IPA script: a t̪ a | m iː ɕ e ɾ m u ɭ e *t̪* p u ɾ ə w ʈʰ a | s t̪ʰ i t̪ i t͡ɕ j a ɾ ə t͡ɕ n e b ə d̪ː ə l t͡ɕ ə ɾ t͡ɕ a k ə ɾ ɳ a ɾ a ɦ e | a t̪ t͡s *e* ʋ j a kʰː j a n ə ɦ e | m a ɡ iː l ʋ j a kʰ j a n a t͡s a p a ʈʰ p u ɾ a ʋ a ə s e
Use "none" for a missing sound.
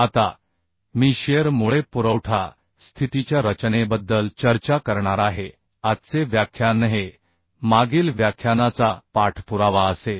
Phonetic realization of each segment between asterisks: none, e

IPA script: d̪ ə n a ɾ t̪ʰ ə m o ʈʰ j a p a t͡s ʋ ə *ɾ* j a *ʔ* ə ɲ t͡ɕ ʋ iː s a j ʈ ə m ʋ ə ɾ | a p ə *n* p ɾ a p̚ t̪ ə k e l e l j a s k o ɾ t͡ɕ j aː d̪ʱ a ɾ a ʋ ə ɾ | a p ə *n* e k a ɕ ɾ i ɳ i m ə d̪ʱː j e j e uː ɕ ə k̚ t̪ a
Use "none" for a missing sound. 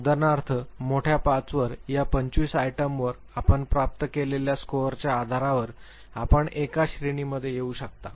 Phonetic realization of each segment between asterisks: ɾ, p, ɳ, ɳ

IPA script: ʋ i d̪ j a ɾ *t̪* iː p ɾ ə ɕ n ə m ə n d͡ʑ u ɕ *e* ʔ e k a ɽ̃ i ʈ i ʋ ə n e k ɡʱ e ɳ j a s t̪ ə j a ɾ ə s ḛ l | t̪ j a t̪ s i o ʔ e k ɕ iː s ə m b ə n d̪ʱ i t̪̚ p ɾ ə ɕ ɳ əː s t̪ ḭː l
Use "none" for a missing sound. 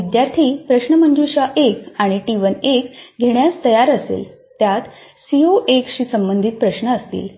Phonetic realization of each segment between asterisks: t̪ʰ, a

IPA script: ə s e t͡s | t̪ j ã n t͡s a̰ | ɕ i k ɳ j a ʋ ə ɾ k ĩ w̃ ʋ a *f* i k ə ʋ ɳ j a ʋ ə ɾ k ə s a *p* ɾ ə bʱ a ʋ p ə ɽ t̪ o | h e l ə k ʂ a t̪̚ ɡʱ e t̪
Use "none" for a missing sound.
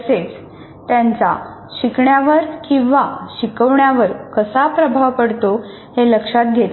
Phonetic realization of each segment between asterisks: ɕ, p

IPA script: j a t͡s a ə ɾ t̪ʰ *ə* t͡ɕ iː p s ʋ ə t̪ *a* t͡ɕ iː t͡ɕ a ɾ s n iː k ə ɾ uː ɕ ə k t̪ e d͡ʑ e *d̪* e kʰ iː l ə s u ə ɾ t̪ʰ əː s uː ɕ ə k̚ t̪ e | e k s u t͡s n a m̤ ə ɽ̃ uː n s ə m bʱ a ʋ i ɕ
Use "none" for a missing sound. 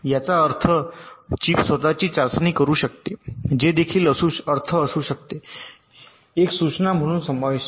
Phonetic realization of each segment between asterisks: ə, a, d̪

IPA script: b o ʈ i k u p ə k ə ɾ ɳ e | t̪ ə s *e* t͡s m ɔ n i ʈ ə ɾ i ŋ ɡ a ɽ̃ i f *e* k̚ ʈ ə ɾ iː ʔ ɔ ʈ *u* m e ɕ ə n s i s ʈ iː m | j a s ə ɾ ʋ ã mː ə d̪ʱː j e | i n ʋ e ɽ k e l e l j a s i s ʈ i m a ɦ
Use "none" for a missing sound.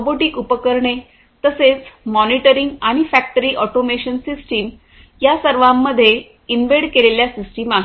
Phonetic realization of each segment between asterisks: e, æ, o

